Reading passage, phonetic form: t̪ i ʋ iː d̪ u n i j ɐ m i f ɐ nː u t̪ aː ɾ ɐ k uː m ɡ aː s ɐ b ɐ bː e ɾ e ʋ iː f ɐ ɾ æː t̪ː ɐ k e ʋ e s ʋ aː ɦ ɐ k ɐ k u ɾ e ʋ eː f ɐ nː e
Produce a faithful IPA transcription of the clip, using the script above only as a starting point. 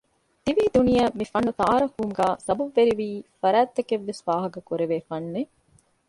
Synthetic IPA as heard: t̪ i ʋ iː d̪ u n i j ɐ m i f ɐ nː u t̪ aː ɾ ɐ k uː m ɡ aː s ɐ b ɐ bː e ɾ i ʋ iː f ɐ ɾ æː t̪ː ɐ k e ʋː e s ʋ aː ɦ ɐ k ɐ k u ɾ e ʋ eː f ɐ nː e